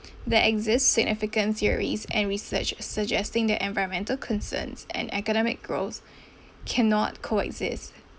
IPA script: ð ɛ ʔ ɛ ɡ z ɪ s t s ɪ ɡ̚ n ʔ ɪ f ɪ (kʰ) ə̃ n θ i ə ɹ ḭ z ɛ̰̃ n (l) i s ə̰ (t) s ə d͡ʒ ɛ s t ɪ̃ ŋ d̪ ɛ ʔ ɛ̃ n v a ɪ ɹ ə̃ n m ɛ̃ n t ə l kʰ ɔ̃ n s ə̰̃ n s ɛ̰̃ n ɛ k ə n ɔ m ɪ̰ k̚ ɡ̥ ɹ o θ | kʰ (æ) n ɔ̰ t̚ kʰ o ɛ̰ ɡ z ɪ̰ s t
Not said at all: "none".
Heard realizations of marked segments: k, ɹ, t͡ʃ, ɛ

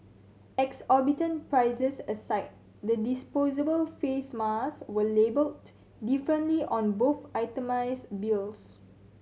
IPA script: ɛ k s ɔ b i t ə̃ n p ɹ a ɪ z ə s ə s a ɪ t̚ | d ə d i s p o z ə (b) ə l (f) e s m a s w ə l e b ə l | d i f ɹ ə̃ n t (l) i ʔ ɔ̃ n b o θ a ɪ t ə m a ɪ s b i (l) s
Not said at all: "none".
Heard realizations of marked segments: b, f, l, l

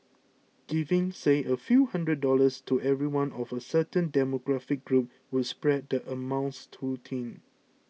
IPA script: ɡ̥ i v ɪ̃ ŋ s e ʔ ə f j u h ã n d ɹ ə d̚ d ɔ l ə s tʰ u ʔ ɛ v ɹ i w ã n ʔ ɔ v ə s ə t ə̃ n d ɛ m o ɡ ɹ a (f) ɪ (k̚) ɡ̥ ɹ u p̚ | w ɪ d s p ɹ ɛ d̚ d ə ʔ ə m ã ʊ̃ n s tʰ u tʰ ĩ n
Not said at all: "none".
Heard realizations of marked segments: f, k̚

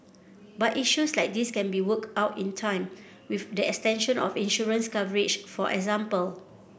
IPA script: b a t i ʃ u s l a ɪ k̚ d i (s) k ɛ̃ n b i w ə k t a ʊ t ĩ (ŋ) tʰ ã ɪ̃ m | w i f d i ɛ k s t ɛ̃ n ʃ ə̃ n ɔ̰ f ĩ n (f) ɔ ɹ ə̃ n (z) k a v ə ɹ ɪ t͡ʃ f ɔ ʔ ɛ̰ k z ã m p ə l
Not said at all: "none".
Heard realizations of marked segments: s, n, ʃ, s

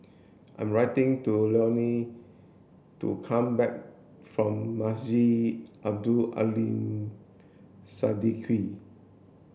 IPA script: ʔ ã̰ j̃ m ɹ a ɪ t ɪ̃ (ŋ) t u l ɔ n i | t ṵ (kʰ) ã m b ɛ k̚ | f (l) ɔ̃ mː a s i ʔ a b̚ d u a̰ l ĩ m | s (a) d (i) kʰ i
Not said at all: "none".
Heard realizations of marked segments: ŋ, kʰ, ɹ, a, i

